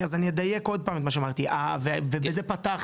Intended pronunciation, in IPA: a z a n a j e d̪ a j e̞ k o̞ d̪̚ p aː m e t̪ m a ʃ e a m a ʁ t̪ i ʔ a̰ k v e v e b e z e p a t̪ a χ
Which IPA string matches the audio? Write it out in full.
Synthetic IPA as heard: a z a n i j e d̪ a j e̞ k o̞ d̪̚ p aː m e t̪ m a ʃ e a m a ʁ t̪ i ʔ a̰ v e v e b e z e p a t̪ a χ